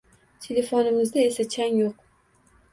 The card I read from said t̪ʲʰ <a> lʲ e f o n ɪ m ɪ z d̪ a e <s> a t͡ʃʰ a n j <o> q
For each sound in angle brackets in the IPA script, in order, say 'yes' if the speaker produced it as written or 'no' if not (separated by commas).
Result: no, yes, yes